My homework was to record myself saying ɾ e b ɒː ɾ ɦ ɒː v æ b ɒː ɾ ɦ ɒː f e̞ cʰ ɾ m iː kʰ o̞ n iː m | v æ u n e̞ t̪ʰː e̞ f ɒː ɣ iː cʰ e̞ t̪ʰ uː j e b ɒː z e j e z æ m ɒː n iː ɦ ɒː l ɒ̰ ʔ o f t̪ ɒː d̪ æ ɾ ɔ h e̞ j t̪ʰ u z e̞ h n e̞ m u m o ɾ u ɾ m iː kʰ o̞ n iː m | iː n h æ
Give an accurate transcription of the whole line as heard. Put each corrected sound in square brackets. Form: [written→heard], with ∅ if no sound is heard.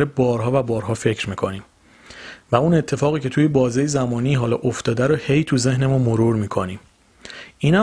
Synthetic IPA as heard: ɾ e b ɒː ɾ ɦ ɒː v æ b ɒː ɾ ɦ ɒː f e̞ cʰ ɾ m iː kʰ o̞ n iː m | v æ u n e̞ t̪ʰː e̞ f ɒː ɣ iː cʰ e̞ t̪ʰ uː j e b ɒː z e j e z æ m ɒː n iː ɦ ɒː l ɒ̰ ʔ o f t̪ ɒː d̪ æ ɾ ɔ h e̞ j t̪ʰ u z e̞ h n e̞ m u m o ɾ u ɾ m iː kʰ o̞ n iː m | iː n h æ